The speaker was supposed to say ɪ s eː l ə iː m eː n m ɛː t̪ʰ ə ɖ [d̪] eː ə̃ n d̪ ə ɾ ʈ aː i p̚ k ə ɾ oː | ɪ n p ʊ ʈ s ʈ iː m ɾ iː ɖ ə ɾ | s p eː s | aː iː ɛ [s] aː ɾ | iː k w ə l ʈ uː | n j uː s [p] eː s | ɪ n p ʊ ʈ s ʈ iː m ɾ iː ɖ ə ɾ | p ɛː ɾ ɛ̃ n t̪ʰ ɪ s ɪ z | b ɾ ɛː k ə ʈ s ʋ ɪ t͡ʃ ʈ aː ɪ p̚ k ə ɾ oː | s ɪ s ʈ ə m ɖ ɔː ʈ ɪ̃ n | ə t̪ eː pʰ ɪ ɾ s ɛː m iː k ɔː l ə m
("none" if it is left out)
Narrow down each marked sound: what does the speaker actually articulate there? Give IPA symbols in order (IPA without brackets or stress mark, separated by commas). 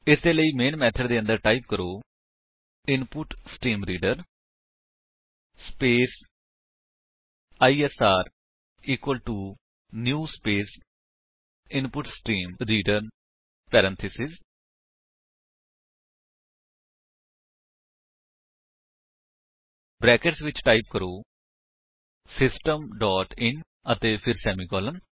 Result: d̪, s, p